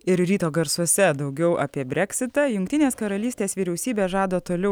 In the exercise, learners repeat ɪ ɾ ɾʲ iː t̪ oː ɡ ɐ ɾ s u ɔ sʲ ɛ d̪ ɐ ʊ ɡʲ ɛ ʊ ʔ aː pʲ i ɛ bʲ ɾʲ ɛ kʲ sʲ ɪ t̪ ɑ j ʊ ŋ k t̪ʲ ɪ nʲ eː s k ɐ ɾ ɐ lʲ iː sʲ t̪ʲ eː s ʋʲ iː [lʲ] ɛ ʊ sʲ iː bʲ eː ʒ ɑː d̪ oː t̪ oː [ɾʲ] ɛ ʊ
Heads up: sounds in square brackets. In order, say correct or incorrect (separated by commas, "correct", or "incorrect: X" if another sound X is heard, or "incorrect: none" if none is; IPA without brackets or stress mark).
incorrect: ɾʲ, incorrect: lʲ